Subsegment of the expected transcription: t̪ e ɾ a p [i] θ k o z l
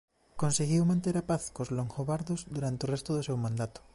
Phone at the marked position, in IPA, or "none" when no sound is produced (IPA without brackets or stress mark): a